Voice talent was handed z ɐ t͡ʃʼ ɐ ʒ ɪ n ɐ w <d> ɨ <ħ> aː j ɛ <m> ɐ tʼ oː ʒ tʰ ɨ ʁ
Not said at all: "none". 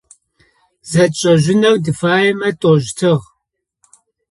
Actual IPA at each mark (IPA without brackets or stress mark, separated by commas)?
d, f, m